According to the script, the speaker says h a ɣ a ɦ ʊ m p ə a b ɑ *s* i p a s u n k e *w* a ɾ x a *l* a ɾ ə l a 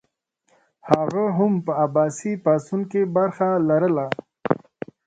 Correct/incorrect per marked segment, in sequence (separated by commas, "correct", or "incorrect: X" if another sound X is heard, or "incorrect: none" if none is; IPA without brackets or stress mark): correct, incorrect: b, correct